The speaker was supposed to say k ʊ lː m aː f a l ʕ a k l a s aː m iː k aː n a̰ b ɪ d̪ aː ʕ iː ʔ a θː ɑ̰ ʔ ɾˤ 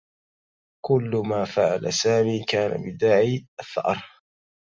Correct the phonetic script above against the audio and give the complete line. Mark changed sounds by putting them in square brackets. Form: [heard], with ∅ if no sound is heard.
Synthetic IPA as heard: k ʊ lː m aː f a [∅] ʕ a [∅] l a s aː m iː k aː n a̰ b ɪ d̪ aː ʕ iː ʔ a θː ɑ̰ ʔ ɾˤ